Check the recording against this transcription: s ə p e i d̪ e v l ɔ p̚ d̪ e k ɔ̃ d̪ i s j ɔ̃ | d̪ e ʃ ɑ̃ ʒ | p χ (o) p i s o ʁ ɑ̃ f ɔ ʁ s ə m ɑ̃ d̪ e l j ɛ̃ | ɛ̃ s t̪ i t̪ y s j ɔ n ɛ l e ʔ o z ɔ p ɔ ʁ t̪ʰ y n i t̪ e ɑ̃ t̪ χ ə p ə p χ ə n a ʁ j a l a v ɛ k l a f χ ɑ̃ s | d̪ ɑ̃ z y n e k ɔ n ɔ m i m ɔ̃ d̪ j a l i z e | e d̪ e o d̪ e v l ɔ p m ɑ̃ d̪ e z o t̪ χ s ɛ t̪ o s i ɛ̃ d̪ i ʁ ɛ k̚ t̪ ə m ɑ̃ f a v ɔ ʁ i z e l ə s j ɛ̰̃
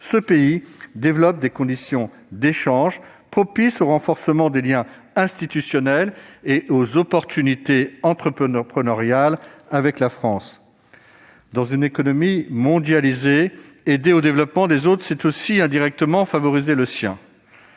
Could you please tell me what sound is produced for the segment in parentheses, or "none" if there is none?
ɔ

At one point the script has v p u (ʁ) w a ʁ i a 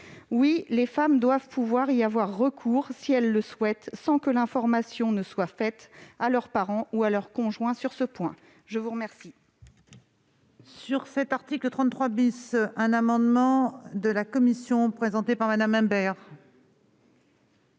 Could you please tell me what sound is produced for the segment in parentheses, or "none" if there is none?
v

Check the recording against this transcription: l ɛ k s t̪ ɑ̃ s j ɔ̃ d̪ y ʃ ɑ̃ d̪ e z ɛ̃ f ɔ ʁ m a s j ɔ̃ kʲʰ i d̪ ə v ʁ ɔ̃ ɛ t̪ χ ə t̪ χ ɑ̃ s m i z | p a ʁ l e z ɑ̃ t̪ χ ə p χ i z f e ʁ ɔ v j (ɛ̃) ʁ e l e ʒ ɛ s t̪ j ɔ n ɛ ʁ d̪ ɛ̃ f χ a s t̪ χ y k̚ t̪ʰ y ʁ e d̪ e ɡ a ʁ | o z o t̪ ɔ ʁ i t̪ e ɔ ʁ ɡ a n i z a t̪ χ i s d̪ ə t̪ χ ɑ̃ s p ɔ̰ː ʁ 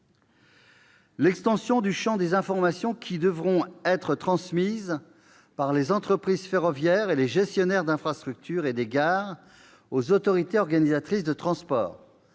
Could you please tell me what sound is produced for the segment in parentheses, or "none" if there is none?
ɛ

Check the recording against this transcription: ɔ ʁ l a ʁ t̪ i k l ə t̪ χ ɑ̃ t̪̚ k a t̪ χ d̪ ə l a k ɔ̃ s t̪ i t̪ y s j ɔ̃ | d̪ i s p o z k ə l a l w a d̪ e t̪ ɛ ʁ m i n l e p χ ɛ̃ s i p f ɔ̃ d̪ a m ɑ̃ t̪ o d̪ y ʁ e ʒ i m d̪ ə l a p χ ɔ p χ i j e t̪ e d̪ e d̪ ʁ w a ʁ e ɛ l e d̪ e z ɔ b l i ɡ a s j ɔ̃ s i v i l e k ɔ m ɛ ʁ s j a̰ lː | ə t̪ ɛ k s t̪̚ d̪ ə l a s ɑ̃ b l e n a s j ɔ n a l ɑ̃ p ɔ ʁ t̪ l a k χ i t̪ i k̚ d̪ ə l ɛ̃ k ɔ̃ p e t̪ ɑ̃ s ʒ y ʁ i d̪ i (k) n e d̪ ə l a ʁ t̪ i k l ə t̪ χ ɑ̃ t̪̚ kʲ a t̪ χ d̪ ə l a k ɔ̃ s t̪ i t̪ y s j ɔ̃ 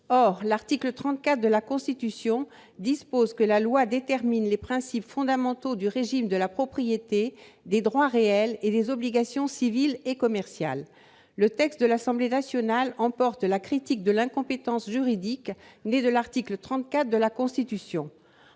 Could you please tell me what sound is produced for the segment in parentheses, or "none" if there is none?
k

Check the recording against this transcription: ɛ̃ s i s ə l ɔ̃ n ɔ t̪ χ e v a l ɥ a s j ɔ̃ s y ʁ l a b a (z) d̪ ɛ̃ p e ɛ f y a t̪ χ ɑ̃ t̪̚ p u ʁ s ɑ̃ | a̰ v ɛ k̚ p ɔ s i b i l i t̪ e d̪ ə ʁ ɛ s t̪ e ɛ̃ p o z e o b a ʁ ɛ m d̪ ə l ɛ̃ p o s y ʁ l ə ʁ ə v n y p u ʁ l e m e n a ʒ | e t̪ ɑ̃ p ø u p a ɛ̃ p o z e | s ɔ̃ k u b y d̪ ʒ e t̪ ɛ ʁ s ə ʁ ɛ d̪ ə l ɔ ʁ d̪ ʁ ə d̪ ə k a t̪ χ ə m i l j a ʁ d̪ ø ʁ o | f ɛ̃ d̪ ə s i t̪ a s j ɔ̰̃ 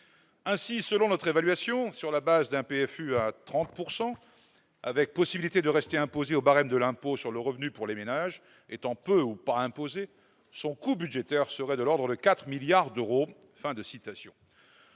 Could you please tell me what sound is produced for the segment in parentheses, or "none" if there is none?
z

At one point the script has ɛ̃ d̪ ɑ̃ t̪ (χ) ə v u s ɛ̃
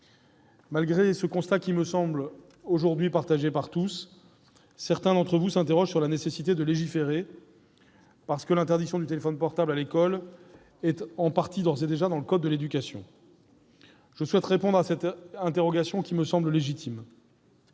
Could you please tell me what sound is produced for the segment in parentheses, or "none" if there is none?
χ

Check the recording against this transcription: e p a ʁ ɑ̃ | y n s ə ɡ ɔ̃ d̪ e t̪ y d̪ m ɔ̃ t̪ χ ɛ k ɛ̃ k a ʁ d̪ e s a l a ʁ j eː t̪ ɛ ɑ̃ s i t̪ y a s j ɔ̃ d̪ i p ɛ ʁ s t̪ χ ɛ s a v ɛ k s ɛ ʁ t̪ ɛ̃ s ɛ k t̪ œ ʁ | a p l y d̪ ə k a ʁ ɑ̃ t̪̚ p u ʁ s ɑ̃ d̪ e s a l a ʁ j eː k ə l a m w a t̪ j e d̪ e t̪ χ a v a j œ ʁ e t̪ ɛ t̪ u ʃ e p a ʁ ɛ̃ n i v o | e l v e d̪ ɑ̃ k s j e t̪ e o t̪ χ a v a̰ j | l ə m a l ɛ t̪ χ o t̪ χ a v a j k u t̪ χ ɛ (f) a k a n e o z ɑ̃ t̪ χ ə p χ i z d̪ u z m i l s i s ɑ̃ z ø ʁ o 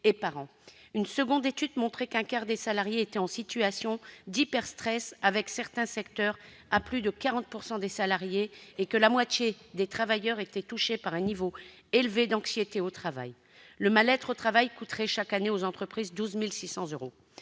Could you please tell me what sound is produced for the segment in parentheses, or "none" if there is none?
ʃ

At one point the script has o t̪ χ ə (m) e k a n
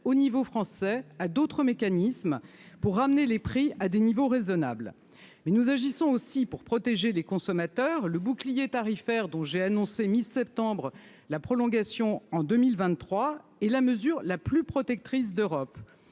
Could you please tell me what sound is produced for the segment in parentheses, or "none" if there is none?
m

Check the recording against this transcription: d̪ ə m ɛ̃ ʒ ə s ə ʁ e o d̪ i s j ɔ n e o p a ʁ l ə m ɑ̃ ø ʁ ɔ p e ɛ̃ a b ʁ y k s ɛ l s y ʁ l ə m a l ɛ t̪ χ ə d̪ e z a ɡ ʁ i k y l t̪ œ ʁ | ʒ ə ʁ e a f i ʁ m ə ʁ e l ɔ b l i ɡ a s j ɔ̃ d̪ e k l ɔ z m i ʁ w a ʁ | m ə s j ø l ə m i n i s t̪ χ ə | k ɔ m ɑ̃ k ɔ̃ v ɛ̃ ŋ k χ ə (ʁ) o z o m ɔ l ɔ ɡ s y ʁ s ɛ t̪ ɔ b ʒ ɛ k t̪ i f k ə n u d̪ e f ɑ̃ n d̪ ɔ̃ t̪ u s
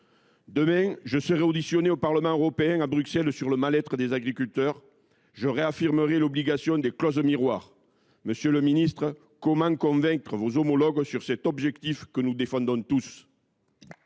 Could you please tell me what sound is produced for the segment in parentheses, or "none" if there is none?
v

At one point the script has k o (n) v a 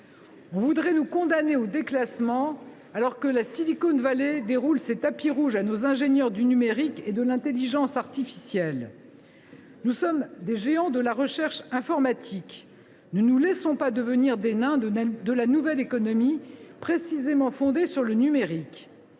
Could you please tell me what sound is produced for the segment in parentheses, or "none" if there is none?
n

